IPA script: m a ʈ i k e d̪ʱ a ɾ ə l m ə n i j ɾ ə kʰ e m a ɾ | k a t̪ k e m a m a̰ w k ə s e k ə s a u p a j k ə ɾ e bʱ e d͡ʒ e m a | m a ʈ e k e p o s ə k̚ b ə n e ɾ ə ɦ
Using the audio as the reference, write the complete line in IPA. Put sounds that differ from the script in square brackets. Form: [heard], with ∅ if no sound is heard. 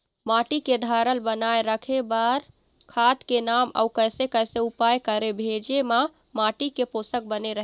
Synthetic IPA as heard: m a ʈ i k e d̪ʱ a ɾ ə l [b] ə n [a] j ɾ ə kʰ e [b] a ɾ | [kʰ] a t̪ k e [n] a m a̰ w k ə s e k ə s [e] u p a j k ə ɾ e bʱ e d͡ʒ e m a | m a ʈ [i] k e p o s ə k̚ b ə n e ɾ ə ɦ